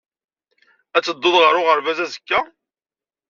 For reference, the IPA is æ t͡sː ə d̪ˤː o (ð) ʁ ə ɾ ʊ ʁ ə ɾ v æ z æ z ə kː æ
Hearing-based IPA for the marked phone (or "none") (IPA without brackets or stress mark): ð